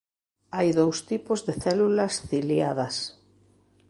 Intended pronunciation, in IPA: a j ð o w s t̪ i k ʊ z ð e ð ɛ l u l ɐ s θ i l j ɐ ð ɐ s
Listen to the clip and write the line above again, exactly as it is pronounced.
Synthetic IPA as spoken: a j ð o w s t̪ i p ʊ z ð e θ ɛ l u l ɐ s θ i l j a ð ɐ s